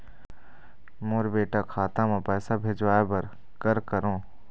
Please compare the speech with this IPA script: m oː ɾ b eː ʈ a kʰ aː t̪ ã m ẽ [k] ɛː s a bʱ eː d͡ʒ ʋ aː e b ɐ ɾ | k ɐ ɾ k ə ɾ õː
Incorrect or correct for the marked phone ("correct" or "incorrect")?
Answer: incorrect